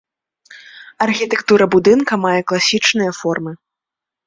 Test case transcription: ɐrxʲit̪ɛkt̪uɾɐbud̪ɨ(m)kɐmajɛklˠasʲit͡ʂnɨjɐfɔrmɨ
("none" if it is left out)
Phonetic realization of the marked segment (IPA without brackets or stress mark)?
n